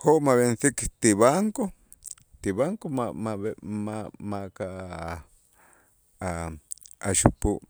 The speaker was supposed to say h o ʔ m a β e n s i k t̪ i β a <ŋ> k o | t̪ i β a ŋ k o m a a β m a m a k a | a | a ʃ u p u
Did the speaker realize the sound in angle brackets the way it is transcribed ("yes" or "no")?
yes